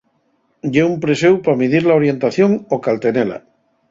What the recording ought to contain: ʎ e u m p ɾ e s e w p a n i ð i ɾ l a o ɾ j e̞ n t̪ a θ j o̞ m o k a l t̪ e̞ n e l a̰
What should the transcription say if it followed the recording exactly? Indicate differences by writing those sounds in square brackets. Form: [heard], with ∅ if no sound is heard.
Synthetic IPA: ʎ e u m p ɾ e s e w p a [m] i ð i ɾ l a o ɾ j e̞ n t̪ a θ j o̞ [ŋ] o k a l t̪ e̞ n e l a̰